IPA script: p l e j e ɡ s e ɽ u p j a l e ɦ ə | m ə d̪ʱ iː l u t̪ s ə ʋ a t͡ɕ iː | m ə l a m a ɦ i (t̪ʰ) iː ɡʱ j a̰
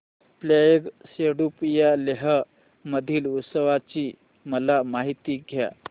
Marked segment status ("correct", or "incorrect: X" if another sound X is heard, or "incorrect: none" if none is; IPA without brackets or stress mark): incorrect: t̪